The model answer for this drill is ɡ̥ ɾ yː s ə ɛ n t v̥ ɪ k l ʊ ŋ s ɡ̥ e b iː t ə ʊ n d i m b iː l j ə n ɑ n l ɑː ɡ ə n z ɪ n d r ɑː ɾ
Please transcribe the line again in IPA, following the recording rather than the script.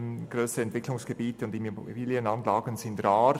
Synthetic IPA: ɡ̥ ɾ øː s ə ɛ n t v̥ ɪ k l ʊ ŋ s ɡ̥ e b iː t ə ʊ n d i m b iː l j ə n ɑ n l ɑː ɡ ə n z ɪ n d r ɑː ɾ